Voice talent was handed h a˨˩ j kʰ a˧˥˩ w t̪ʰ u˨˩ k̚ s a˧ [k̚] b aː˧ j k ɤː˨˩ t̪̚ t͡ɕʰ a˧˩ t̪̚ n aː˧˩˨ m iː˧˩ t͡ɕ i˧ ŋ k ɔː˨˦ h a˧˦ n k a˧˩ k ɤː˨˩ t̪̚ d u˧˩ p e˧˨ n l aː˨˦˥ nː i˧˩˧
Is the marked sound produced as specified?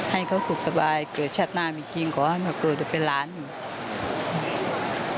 no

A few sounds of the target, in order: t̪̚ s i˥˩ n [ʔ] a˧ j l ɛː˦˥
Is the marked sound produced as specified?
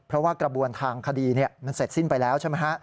no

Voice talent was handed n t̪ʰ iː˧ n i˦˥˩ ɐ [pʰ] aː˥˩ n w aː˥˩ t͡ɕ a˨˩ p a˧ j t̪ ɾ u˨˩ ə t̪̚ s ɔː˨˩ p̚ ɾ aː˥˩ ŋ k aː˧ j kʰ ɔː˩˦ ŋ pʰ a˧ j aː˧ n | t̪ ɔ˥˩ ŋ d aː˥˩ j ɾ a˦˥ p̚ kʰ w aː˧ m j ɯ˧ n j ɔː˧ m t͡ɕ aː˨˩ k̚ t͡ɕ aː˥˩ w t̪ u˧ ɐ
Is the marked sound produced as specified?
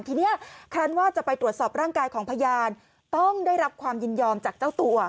no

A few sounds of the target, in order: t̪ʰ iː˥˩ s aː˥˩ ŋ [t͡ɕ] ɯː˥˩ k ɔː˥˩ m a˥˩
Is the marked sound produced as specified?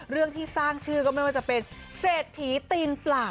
no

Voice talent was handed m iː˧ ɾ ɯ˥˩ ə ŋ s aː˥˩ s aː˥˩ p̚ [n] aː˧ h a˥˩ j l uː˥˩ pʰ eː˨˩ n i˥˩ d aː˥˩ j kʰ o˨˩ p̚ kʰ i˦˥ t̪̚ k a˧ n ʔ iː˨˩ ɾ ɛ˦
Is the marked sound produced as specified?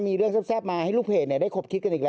no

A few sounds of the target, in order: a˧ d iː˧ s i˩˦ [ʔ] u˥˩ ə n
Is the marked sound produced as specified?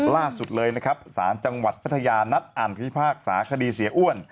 yes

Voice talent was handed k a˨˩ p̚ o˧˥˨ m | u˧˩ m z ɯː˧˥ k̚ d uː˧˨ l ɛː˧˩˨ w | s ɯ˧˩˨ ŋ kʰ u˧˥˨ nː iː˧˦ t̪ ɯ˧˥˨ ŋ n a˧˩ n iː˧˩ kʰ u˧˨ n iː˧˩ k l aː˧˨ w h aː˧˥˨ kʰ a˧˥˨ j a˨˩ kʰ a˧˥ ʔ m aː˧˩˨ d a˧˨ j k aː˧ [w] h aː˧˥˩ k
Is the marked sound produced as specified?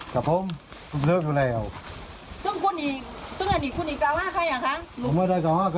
yes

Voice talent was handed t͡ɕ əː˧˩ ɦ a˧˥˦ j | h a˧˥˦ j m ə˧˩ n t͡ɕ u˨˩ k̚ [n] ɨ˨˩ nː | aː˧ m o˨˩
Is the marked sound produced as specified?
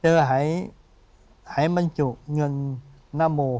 no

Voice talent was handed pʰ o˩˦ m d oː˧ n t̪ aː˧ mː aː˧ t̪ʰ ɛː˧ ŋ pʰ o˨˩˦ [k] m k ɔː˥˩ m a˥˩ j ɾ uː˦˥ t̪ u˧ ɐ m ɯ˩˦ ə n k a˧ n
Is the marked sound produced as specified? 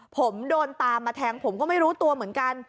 no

